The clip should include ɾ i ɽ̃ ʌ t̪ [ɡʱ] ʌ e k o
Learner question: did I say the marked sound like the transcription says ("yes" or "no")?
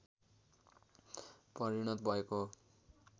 no